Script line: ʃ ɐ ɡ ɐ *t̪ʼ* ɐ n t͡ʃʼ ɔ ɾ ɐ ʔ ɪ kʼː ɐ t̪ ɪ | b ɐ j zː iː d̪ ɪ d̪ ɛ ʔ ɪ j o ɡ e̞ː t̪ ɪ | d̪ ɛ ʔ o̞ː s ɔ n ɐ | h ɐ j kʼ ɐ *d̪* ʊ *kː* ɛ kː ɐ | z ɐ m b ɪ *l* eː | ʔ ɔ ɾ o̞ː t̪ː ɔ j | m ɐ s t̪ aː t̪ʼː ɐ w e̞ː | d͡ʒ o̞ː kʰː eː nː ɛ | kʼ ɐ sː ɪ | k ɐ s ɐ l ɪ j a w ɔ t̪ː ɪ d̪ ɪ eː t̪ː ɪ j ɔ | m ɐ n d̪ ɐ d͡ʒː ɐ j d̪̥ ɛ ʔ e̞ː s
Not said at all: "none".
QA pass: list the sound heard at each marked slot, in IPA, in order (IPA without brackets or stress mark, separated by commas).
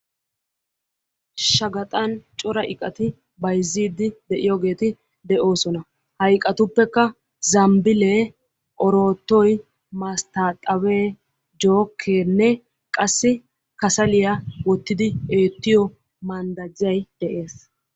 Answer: t̪ʼ, t̪, pː, l